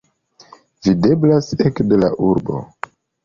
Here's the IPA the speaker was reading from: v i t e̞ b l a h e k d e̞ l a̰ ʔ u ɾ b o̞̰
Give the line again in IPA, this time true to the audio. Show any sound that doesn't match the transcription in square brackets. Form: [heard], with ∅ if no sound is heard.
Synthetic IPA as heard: v i [d] e̞ b l a [s] e k d e̞ l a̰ ʔ u ɾ b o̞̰